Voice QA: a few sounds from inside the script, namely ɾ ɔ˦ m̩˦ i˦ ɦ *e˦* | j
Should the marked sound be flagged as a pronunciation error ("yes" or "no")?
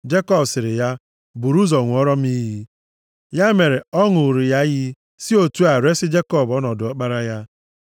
yes